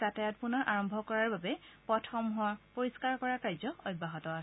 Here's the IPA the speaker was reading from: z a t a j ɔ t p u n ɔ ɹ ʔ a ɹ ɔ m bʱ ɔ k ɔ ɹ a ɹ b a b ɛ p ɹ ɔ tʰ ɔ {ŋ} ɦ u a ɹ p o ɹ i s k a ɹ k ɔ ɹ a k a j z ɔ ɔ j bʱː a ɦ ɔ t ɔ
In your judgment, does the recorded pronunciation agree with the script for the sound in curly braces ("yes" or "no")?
no